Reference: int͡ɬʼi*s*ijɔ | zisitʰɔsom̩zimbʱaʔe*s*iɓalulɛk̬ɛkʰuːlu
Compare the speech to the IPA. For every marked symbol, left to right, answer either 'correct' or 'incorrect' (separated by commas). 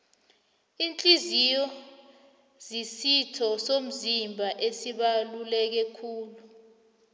incorrect, correct